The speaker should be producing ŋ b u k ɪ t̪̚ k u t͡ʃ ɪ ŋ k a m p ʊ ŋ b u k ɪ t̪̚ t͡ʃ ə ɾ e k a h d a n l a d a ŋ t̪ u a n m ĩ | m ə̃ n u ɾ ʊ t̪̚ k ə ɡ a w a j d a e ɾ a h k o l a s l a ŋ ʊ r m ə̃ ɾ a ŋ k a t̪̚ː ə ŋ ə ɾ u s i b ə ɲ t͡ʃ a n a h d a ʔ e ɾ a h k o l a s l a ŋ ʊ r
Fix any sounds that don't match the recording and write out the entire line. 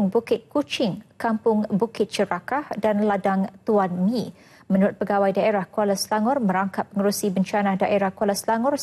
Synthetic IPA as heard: ŋ b u k ɪ t̪̚ k u t͡ʃ ɪ ŋ k a m p ʊ ŋ b u k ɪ t̪̚ t͡ʃ ə ɾ a k a h d a n l a d a ŋ t̪ u a n m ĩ | m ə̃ n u ɾ ʊ t̪̚ p ə ɡ a w a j d a e ɾ a h k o l a s l a ŋ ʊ r m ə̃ ɾ a ŋ k a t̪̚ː ə ŋ ə ɾ u s i b ə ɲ t͡ʃ a n a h d a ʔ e ɾ a h k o l a s l a ŋ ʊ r